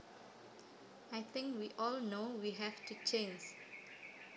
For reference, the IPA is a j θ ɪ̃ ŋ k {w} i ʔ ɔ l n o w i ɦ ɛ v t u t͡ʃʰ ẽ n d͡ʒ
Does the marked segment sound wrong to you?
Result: no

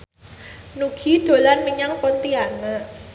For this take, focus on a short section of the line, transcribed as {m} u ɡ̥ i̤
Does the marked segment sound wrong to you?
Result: yes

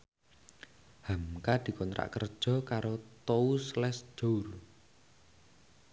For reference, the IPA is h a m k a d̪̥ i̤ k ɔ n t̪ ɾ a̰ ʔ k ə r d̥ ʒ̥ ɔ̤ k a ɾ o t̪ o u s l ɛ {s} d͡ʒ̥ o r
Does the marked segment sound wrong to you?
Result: no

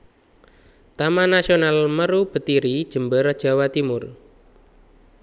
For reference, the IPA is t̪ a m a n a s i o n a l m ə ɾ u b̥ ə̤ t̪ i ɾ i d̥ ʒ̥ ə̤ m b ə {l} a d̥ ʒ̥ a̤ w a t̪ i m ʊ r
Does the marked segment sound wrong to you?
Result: yes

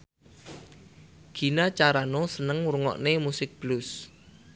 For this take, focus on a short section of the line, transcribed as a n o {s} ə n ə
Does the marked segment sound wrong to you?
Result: no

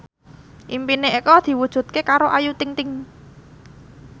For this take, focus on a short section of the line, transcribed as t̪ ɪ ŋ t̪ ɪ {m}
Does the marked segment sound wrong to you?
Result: yes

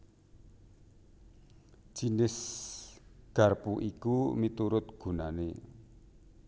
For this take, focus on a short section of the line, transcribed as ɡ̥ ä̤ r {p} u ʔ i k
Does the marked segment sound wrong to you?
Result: no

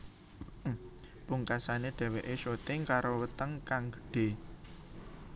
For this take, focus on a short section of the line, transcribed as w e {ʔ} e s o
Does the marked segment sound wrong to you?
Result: no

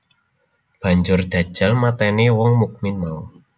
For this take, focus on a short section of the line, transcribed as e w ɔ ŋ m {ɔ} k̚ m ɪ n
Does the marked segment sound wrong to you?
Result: yes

